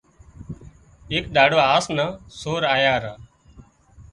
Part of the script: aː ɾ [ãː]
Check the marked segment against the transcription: incorrect: aː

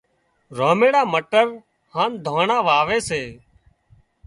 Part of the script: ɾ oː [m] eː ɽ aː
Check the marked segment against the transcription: correct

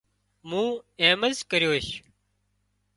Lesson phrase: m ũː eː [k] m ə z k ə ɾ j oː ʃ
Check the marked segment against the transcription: incorrect: none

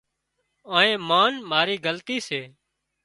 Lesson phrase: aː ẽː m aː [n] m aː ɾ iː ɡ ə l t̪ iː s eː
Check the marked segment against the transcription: correct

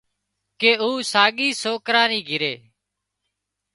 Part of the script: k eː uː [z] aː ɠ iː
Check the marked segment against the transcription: incorrect: s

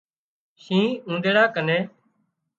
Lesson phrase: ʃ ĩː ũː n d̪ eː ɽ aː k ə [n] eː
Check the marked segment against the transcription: correct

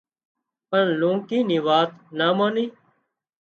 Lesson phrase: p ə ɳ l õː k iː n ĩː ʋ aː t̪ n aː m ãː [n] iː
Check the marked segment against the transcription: correct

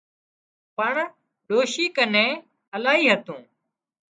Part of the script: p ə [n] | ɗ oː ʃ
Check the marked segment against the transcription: incorrect: ɳ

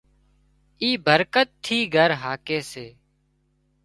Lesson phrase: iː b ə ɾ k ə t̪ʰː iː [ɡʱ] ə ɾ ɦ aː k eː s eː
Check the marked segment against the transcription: correct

